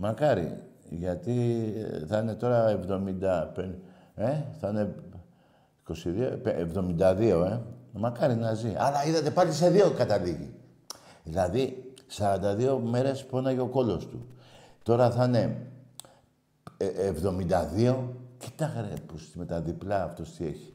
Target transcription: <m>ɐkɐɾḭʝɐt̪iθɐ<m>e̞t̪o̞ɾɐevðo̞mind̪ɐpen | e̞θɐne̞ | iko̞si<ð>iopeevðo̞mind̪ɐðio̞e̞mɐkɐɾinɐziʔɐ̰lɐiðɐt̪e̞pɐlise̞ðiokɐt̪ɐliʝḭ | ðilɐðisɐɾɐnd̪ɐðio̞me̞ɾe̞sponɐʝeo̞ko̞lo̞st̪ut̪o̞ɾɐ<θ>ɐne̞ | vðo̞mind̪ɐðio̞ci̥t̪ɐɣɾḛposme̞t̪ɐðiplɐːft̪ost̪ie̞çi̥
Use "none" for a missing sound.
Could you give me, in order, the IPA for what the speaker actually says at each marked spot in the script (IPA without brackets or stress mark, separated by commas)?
m, n, ð, θ